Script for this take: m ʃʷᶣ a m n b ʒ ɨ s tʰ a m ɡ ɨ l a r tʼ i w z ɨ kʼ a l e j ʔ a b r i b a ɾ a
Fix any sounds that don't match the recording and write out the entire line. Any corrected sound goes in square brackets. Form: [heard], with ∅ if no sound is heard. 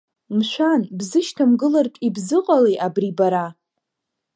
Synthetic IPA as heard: m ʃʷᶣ a [∅] n b [z] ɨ [ʃ] tʰ a m ɡ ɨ l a r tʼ i [b] z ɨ [qʼ] a l e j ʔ a b r i b a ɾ a